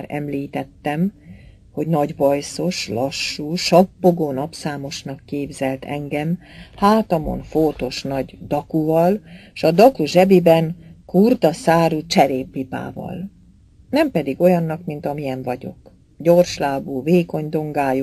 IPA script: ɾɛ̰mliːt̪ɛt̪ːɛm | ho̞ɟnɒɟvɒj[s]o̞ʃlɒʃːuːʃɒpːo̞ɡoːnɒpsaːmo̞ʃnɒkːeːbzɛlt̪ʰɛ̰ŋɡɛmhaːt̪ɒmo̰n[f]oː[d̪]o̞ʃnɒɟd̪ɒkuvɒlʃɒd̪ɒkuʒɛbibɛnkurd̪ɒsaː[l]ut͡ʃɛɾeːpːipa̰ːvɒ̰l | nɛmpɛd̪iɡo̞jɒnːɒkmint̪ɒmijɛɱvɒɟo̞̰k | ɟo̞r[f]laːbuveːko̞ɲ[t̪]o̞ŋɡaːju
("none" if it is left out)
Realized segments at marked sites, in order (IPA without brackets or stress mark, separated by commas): s, f, t̪, ɾ, ʃ, d̪